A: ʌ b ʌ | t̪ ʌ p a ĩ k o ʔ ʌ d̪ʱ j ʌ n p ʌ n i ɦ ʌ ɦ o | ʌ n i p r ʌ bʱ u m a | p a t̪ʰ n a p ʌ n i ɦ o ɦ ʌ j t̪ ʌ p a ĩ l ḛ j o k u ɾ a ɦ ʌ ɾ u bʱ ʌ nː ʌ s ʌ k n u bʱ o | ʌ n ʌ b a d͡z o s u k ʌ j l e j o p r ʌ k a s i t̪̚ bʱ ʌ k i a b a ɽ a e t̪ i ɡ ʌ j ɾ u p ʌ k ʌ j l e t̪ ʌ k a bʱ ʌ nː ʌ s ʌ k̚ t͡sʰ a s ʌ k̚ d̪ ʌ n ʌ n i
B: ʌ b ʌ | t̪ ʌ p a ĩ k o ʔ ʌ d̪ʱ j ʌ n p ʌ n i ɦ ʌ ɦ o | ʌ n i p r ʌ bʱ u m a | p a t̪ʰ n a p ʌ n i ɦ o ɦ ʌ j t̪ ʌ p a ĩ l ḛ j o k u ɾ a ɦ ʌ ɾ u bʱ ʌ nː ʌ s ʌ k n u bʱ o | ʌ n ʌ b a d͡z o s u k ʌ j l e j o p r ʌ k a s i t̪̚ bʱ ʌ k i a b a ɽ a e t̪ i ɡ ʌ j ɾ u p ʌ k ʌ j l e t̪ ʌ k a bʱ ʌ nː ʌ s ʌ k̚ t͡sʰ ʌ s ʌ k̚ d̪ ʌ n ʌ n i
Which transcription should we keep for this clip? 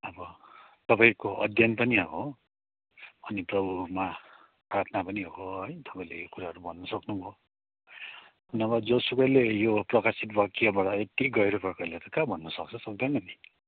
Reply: B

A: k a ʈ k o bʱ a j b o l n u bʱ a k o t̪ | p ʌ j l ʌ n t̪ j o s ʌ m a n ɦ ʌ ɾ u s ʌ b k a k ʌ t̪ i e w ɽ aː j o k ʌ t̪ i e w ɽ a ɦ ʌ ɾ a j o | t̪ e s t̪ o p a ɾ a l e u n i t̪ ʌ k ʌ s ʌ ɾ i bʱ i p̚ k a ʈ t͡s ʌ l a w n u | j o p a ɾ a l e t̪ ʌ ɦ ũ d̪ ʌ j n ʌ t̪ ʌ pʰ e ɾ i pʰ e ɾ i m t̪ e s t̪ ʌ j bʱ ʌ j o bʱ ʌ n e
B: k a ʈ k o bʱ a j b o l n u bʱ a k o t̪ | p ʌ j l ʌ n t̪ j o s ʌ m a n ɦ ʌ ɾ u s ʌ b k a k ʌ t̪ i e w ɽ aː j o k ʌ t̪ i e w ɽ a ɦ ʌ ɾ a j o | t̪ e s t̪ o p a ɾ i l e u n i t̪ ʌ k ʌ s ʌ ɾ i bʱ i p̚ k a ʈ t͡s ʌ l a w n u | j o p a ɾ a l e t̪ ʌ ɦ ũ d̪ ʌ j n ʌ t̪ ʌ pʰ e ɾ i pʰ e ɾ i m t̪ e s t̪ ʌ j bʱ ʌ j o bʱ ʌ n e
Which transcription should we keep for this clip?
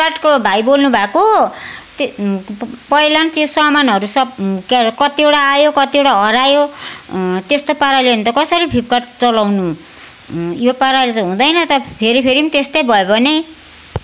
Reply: A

